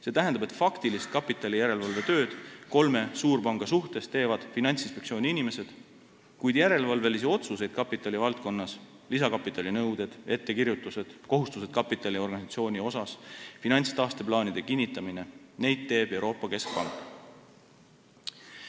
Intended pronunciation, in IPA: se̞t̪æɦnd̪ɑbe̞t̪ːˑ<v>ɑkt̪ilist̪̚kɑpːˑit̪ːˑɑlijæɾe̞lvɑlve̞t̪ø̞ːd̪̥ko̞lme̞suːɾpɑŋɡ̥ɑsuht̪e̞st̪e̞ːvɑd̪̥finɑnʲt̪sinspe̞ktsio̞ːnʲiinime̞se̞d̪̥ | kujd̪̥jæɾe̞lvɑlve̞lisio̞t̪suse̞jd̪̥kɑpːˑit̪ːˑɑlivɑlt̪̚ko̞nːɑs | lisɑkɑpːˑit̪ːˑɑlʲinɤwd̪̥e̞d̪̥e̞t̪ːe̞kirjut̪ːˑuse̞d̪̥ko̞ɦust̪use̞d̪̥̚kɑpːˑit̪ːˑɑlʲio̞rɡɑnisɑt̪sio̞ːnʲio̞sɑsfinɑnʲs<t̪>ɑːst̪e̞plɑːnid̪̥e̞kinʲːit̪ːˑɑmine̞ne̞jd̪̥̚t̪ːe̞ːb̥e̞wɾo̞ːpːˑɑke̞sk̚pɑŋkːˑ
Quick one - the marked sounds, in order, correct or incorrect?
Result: incorrect, correct

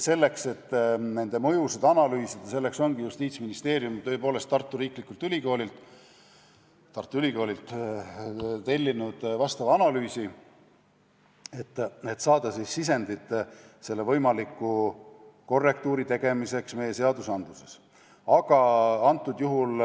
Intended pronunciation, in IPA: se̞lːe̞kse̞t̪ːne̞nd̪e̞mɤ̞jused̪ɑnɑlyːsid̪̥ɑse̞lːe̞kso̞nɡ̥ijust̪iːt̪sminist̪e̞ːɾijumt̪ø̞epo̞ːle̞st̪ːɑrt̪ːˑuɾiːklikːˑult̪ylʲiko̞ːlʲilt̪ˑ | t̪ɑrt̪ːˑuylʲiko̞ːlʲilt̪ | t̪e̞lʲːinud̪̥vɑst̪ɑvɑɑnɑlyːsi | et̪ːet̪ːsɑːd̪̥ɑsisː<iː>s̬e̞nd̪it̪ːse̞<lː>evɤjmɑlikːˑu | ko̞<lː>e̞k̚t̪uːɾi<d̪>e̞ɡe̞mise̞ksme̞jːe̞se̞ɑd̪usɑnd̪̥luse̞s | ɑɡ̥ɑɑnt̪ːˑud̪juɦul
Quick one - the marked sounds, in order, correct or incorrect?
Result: incorrect, correct, incorrect, incorrect

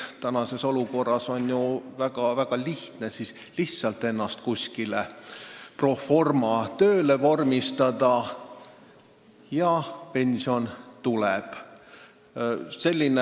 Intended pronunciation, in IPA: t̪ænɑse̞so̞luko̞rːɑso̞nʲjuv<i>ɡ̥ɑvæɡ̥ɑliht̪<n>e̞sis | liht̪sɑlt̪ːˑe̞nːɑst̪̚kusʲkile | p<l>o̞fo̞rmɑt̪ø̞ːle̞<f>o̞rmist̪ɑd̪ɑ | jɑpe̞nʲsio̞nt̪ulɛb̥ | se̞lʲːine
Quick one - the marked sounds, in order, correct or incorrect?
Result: incorrect, correct, incorrect, incorrect

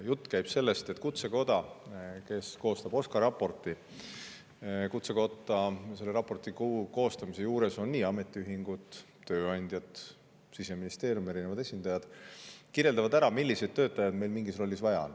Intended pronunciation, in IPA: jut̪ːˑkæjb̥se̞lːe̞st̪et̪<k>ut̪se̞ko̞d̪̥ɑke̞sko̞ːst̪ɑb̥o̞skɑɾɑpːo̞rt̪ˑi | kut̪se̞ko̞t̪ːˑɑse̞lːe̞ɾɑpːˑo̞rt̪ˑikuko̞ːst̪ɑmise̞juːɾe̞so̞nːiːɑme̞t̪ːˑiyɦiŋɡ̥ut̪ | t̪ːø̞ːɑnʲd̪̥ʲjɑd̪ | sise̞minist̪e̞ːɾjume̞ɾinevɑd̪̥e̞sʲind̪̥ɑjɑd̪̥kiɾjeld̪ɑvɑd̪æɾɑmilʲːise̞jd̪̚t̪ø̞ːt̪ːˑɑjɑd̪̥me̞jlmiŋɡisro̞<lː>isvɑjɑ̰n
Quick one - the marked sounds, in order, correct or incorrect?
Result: correct, correct

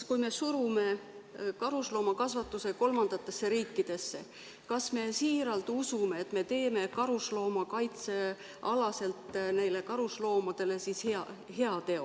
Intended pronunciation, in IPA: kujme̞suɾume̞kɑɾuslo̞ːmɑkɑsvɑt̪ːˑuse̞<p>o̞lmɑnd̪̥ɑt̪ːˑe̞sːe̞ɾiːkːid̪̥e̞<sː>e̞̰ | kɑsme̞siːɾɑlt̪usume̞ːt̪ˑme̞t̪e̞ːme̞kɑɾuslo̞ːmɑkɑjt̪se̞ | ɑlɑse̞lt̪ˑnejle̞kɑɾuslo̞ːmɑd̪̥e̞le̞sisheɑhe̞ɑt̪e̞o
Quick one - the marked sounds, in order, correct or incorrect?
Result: incorrect, correct

